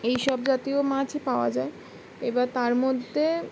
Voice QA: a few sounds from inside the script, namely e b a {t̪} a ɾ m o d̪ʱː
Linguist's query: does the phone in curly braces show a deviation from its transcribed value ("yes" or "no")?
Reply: no